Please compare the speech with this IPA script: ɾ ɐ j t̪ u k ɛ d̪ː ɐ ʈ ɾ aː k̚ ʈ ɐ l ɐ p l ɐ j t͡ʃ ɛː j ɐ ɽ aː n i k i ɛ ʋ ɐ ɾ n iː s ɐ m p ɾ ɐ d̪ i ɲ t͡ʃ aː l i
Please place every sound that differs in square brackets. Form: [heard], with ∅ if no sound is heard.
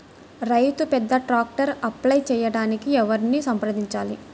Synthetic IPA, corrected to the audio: ɾ ɐ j t̪ u [p] ɛ d̪ː ɐ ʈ ɾ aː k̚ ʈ ɐ [ɾ] ɐ p l ɐ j t͡ʃ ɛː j ɐ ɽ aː n i k i ɛ ʋ ɐ ɾ n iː s ɐ m p ɾ ɐ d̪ i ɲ t͡ʃ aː l i